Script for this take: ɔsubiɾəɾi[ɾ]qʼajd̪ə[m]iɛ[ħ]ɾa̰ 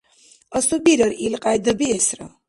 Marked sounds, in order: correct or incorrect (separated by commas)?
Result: incorrect, incorrect, incorrect